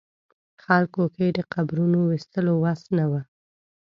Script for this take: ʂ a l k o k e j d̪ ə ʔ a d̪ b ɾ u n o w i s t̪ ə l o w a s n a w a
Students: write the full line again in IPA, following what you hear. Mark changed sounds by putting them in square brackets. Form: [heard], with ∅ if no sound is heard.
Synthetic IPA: [x] a l k o k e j d̪ ə [q] a [∅] b ɾ u n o w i s t̪ ə l o w a s n a w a

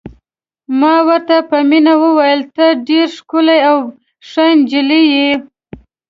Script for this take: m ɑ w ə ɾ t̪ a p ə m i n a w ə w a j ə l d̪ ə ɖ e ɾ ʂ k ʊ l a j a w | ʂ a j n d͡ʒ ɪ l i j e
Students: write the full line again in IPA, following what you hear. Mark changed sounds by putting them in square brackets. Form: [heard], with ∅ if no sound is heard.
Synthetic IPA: m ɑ w ə ɾ t̪ a p ə m i n a w ə w a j ə l [t̪] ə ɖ e ɾ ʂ k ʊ l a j a w | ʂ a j n d͡ʒ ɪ l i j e

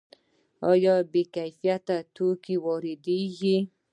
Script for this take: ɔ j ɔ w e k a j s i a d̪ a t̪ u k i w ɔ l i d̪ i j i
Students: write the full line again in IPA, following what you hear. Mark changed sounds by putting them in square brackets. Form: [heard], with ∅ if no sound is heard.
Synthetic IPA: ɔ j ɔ [b] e k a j [f] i a [t̪] a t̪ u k i w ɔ [ɾ] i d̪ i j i

